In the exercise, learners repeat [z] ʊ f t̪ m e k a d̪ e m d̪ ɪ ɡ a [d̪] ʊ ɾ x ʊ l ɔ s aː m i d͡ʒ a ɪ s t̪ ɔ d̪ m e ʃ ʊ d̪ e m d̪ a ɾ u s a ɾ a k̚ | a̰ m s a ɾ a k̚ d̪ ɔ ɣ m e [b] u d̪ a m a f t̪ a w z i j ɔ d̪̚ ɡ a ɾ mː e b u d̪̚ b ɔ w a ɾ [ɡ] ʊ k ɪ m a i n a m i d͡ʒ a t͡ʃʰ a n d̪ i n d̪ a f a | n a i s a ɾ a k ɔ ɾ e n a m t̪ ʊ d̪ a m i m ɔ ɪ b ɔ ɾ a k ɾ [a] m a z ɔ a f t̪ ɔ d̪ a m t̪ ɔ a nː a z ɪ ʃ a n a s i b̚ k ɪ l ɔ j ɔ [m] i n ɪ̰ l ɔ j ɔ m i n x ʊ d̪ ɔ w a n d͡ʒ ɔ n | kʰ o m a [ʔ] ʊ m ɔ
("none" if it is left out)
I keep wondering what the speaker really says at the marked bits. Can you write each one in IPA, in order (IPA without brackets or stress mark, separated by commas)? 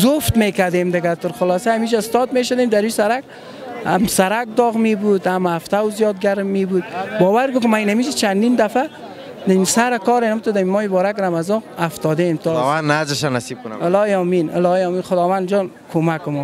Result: z, t̪, b, ɡ, a, m, k